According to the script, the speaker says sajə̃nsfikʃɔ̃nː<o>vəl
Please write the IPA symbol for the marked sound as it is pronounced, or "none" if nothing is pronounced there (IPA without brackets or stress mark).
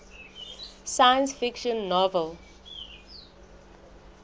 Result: ɔ